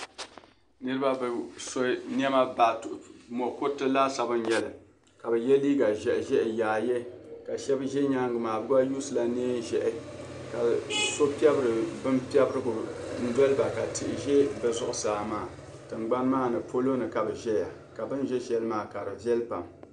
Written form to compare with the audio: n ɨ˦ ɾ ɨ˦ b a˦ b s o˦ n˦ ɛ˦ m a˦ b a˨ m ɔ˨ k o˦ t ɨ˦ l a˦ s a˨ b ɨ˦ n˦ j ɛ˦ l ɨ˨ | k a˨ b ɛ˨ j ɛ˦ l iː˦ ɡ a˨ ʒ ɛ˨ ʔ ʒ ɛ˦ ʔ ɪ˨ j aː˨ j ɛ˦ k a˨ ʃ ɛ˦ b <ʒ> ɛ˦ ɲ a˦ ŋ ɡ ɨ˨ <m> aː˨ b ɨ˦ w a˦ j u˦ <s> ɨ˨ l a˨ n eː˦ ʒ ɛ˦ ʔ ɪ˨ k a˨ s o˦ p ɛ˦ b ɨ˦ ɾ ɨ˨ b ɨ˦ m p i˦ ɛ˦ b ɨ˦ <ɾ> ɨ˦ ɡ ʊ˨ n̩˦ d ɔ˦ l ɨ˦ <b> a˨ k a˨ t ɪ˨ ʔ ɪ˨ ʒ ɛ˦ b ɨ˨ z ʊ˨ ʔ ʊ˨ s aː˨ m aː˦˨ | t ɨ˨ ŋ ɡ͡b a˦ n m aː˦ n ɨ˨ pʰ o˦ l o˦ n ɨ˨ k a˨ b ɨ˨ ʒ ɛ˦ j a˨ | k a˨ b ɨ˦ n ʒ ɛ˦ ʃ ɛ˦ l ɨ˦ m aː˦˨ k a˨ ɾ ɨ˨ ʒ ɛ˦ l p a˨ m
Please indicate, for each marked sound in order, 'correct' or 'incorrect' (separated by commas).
correct, correct, correct, correct, correct